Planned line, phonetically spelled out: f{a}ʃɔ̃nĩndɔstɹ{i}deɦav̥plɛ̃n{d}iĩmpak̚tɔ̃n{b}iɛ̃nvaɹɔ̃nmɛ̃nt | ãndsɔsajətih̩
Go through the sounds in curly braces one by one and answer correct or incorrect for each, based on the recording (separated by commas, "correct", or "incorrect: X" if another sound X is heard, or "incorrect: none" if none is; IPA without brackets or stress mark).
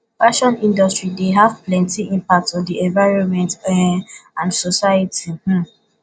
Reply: correct, correct, incorrect: t, incorrect: d